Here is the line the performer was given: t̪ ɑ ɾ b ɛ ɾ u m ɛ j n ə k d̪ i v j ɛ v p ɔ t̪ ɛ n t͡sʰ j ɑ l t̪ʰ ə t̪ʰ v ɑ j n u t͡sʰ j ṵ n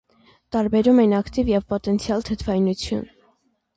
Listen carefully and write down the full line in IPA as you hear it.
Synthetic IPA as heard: t̪ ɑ ɾ b ɛ ɾ u m ɛ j n ɑ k t̪ i v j ɛ v p ɔ t̪ ɛ n t͡sʰ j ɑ l t̪ʰ ə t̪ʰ v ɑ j n u t͡sʰ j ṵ n